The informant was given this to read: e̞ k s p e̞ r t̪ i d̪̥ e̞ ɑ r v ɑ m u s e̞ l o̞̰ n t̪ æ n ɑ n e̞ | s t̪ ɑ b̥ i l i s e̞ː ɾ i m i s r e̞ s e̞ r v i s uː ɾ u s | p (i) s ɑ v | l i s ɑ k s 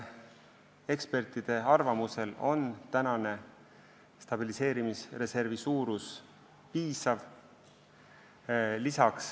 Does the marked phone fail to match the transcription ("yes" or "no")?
yes